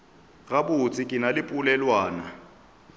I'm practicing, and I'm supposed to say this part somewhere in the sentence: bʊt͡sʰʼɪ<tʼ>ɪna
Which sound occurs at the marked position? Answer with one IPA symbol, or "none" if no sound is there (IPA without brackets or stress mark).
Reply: kʼ